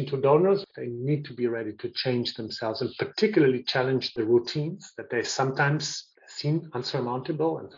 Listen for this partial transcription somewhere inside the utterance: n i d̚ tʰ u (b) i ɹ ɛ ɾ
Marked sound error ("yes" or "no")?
no